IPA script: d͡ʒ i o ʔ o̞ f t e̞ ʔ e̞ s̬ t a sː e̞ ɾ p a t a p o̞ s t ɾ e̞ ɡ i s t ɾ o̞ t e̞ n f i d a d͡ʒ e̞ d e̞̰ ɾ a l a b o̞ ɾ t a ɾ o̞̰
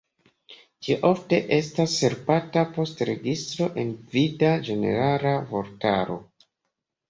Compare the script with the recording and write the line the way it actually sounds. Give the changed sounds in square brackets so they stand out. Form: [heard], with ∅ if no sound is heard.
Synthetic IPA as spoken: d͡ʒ i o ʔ o̞ f t e̞ ʔ e̞ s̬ t a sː e̞ ɾ p a t a p o̞ s t ɾ e̞ ɡ i s t ɾ o̞ [ʔ] e̞ n [v] i d a d͡ʒ e̞ [n] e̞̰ ɾ a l a [v] o̞ ɾ t a ɾ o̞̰